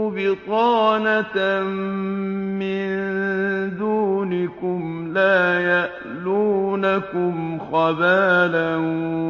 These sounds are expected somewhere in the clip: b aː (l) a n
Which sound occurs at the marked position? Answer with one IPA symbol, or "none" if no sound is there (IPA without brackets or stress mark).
l